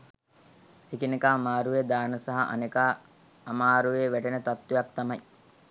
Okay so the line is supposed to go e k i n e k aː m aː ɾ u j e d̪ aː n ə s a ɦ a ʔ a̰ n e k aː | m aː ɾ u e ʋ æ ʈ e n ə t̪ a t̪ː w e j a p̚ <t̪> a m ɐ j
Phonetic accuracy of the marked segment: correct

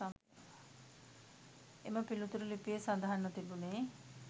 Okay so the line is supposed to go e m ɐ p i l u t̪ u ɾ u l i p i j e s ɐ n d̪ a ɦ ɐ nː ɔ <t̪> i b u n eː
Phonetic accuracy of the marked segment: correct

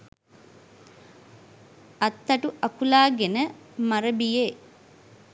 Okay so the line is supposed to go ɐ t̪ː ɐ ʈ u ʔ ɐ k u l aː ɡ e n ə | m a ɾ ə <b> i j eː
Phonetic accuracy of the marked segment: correct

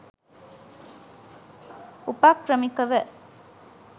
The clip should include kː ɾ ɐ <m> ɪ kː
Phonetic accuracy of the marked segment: correct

